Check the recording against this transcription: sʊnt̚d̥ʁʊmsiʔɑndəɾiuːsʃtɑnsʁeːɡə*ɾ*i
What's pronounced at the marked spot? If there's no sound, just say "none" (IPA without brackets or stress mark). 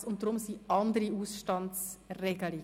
l